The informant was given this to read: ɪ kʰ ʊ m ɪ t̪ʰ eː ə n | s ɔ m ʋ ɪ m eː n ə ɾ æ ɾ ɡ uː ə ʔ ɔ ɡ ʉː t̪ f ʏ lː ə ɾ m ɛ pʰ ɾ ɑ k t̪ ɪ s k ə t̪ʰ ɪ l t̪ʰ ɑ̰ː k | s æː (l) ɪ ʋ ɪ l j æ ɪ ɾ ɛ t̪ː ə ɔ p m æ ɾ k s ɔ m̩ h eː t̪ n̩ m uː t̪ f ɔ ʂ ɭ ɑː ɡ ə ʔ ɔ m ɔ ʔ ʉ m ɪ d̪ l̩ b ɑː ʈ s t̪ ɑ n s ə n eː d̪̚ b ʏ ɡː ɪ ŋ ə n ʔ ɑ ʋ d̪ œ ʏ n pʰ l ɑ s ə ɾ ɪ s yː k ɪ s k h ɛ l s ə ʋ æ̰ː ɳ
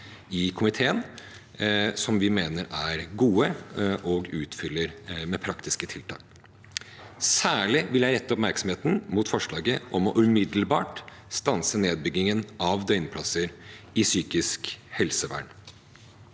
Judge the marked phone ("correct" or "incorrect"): incorrect